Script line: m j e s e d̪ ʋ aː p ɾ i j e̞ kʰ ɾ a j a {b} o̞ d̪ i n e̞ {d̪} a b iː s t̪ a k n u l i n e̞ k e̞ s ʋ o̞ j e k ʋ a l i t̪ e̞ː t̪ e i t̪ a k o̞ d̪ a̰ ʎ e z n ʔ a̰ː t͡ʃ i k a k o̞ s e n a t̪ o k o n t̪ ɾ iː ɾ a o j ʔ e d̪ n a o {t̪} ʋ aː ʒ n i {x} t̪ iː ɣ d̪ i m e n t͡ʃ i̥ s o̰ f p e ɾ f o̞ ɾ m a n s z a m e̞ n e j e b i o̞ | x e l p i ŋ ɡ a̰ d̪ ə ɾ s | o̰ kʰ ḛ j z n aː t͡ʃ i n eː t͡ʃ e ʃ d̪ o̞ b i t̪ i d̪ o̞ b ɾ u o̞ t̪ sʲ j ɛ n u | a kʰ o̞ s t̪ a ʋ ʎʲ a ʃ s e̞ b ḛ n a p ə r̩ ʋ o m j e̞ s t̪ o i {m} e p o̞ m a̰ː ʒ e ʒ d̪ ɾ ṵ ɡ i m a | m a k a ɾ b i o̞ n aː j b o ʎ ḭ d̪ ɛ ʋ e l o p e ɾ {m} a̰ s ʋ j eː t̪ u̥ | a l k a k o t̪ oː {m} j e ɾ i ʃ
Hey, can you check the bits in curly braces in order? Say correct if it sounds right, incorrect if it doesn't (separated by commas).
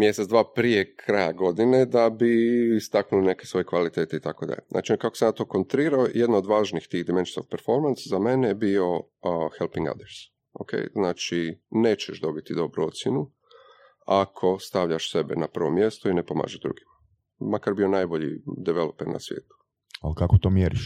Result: incorrect, correct, incorrect, correct, incorrect, incorrect, correct